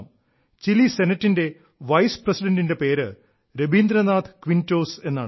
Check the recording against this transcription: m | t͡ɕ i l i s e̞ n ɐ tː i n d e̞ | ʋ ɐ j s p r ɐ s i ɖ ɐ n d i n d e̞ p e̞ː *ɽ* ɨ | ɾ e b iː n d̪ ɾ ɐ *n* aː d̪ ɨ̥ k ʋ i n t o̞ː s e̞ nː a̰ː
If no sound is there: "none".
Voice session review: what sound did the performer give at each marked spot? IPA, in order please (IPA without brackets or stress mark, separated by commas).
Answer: ɾ, n